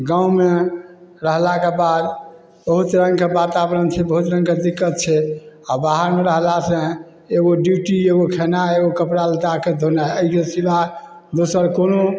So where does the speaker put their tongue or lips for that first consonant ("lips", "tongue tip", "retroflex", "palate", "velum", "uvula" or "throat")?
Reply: velum